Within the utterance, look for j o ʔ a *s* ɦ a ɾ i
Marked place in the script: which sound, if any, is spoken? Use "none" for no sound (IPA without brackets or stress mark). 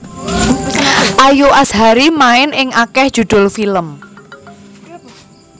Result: s